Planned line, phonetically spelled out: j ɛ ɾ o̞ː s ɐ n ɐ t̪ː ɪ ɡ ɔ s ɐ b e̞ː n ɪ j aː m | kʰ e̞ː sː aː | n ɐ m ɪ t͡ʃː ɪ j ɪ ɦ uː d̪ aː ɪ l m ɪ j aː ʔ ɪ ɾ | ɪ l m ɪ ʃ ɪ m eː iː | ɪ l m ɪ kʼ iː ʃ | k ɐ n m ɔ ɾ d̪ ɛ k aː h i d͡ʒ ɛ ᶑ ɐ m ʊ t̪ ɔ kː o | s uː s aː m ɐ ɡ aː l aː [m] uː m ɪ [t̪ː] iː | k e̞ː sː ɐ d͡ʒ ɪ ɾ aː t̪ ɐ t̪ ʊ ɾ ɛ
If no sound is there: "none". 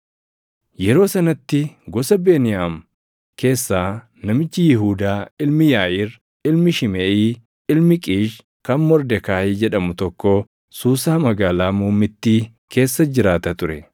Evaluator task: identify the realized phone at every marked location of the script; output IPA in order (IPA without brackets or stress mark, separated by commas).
m, t̪ː